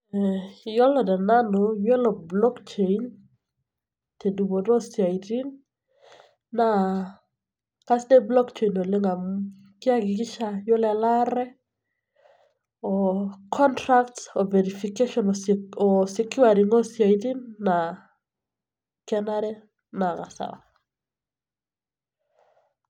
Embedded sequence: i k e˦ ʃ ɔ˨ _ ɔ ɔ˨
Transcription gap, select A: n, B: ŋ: A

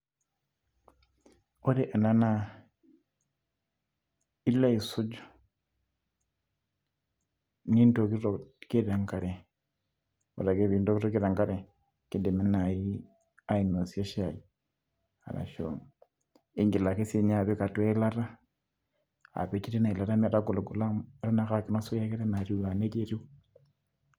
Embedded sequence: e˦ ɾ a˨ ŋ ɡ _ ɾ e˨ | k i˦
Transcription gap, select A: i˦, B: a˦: B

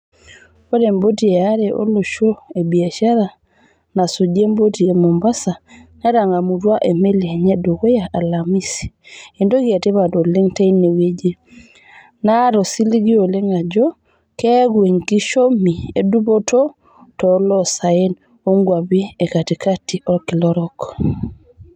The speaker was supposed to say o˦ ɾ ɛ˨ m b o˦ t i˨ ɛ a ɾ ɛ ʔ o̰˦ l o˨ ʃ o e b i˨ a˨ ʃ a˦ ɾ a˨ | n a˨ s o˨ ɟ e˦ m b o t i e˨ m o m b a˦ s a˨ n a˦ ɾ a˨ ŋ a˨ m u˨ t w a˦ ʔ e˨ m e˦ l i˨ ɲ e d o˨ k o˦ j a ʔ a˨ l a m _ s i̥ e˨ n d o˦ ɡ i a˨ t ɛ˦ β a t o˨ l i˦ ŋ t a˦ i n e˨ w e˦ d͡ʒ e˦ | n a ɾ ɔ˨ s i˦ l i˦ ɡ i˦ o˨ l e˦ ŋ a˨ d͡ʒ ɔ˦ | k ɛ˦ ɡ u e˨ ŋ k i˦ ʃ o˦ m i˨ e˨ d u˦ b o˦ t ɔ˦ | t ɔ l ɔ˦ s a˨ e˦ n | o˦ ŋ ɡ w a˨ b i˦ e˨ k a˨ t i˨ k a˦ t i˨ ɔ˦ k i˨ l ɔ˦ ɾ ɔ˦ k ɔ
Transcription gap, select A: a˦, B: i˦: B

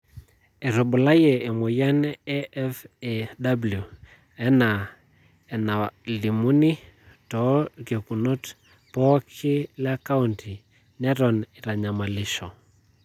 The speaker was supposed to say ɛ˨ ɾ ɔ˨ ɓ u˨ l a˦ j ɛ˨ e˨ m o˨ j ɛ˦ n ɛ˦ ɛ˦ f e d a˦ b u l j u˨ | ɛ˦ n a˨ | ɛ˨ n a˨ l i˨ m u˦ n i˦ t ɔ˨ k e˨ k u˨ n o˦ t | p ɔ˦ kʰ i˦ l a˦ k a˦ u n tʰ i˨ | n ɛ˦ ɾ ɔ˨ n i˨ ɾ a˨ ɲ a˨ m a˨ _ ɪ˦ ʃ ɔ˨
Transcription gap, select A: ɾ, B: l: B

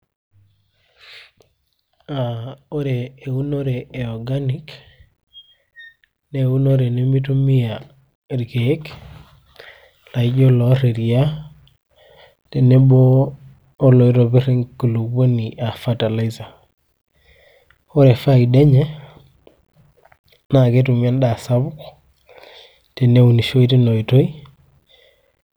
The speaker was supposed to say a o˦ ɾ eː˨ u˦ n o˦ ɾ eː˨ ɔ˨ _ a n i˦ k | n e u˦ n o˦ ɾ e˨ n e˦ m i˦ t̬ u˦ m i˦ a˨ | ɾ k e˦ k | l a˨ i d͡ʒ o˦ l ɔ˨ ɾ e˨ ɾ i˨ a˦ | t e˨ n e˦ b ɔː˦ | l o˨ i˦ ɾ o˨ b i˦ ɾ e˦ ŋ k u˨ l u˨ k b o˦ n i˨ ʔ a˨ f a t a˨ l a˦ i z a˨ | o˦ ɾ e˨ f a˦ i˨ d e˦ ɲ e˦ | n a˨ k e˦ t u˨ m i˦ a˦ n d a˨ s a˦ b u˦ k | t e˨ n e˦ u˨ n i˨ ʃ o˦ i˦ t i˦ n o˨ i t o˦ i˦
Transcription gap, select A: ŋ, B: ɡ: B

